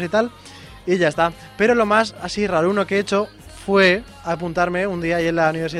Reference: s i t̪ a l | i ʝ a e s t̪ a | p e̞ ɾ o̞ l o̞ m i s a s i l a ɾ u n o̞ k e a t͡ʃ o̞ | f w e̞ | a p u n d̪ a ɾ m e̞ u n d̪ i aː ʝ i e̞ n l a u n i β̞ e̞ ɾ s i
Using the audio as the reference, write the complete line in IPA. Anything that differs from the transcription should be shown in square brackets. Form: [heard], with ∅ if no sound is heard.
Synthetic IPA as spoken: s i t̪ a l | i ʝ a e s t̪ a | p e̞ ɾ o̞ l o̞ m [a] s a s i [r] a ɾ u n o̞ k e [e] t͡ʃ o̞ | f w e̞ | a p u n [t̪] a ɾ m e̞ u n d̪ i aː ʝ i e̞ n l a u n i β̞ e̞ ɾ s i